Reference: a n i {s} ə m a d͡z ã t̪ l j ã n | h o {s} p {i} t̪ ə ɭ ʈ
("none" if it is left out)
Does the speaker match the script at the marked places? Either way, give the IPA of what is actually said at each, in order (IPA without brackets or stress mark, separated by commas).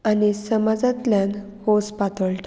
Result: s, s, a